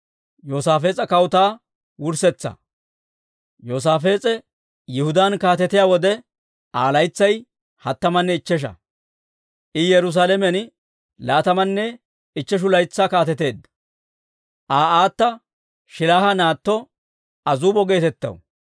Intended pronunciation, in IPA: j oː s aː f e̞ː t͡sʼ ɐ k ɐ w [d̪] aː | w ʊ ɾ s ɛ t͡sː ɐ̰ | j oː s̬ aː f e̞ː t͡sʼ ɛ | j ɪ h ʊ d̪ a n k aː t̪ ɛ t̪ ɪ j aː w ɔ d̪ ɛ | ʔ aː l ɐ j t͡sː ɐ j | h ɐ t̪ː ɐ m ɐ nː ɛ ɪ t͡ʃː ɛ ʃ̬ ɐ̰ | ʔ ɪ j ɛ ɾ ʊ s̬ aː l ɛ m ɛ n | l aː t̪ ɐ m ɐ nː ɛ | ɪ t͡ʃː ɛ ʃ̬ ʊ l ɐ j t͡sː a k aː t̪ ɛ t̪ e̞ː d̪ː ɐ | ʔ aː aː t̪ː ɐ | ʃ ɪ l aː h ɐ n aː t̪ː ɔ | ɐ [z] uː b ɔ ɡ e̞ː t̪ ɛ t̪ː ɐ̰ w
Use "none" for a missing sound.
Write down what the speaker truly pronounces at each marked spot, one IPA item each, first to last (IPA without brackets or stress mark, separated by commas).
t̪, z